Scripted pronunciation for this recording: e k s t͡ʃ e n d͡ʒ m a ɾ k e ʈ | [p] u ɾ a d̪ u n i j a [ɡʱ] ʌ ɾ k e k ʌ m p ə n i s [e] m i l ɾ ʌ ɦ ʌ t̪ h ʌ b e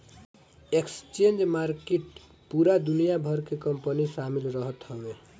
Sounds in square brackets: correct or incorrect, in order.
correct, incorrect: bʱ, incorrect: a

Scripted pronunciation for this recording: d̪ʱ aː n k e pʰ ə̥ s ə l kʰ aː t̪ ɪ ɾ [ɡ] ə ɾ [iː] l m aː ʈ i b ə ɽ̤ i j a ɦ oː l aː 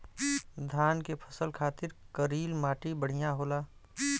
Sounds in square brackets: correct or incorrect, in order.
incorrect: k, correct

